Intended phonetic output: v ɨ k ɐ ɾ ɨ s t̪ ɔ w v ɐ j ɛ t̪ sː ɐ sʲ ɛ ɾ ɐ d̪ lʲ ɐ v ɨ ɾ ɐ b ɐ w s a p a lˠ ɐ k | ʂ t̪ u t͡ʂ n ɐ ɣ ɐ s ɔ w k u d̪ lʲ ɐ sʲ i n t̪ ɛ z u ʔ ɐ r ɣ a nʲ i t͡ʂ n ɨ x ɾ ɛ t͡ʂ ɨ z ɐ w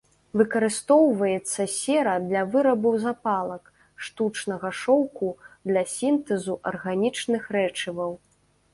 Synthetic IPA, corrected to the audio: v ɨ k ɐ ɾ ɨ s t̪ ɔ w v ɐ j ɛ t̪ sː ɐ sʲ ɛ ɾ ɐ d̪ lʲ ɐ v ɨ ɾ ɐ b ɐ w z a p a lˠ ɐ k | ʂ t̪ u t͡ʂ n ɐ ɣ ɐ ʂ ɔ w k u d̪ lʲ ɐ sʲ i n t̪ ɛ z u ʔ ɐ r ɣ a nʲ i t͡ʂ n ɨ x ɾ ɛ t͡ʂ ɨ v ɐ w